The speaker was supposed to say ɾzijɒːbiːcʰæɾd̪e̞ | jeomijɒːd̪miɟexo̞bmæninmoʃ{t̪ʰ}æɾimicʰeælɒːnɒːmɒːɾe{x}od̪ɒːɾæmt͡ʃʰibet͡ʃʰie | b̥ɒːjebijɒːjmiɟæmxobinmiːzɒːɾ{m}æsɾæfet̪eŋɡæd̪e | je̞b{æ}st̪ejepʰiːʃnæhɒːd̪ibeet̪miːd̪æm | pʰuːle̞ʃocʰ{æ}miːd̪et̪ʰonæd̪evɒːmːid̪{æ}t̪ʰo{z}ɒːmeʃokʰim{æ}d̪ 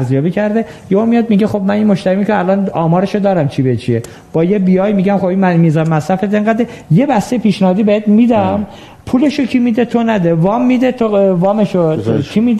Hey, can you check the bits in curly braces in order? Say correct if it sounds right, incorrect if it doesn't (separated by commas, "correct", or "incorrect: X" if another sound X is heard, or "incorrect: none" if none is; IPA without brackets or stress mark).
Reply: incorrect: t̪, incorrect: ʃ, correct, correct, incorrect: i, incorrect: e, incorrect: v, incorrect: i